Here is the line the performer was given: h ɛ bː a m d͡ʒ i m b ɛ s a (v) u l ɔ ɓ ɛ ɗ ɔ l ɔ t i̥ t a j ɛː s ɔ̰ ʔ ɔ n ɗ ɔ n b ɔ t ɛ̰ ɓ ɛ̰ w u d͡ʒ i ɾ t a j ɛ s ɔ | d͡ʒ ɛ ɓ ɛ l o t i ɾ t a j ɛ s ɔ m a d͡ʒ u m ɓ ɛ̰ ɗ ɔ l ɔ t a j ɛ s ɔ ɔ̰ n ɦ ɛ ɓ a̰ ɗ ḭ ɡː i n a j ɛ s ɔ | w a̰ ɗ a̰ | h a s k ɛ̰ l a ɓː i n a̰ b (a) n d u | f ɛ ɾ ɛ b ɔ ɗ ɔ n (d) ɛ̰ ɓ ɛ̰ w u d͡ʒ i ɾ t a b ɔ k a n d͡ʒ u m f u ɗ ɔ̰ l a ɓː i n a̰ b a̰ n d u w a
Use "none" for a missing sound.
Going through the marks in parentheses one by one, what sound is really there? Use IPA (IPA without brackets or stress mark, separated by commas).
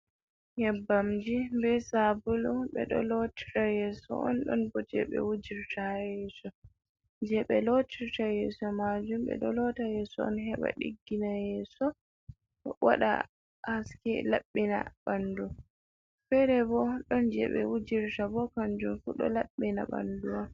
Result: b, a, d͡ʒ